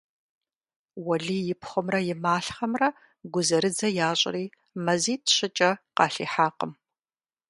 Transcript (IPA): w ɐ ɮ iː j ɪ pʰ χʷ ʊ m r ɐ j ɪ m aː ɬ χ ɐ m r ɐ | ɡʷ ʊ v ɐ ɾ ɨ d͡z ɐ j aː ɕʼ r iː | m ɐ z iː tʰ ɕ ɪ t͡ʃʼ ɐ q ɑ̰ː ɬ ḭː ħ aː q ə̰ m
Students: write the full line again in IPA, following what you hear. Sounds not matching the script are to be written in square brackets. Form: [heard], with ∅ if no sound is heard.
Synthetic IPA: w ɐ ɮ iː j ɪ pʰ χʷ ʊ m r ɐ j ɪ m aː ɬ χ ɐ m r ɐ | ɡʷ ʊ [z] ɐ ɾ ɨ d͡z ɐ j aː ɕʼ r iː | m ɐ z iː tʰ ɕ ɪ t͡ʃʼ ɐ q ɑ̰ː ɬ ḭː ħ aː q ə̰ m